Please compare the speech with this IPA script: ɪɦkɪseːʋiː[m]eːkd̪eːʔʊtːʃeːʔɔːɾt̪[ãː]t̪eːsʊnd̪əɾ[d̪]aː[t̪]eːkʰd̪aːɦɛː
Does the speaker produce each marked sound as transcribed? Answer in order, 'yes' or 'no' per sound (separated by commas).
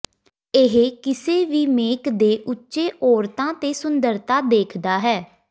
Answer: yes, yes, no, no